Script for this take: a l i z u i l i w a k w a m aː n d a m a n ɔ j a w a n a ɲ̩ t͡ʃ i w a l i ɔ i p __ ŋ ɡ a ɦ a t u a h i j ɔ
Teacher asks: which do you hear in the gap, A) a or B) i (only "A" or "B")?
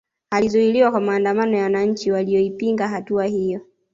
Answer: B